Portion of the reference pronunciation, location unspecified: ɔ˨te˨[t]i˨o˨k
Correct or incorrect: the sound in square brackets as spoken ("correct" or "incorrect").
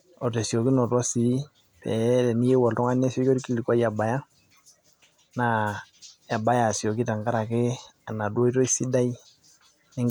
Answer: incorrect